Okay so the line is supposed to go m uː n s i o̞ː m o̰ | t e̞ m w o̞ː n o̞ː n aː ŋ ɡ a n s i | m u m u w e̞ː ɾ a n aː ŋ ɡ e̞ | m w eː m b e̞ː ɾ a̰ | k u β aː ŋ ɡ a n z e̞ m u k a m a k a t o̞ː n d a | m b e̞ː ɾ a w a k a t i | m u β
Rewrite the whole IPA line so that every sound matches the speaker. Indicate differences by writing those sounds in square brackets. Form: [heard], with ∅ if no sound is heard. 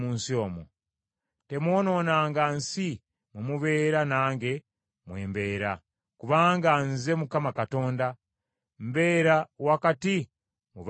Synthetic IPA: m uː n s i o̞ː m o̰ | t e̞ m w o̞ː n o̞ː n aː ŋ ɡ a n s i | m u m u [β] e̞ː ɾ a n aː ŋ ɡ e̞ | m w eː m b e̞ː ɾ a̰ | k u β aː ŋ ɡ a n z e̞ m u k a m a k a t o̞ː n d a | m b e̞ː ɾ a w a k a t i | m u β